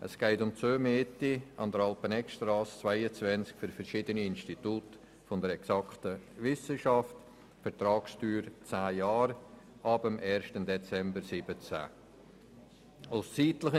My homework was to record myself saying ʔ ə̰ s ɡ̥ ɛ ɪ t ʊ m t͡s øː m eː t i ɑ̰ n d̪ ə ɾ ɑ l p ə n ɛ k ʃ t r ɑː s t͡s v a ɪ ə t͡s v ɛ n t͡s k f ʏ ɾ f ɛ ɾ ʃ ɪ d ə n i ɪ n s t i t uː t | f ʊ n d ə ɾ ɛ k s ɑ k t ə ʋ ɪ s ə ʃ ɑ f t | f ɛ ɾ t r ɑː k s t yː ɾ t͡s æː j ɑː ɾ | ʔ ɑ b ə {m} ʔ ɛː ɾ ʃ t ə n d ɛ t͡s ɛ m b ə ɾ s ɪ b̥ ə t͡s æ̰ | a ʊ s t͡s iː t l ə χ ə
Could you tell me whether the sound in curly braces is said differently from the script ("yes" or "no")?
no